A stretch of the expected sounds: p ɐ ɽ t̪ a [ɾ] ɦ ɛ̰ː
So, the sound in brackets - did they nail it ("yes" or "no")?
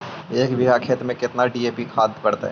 no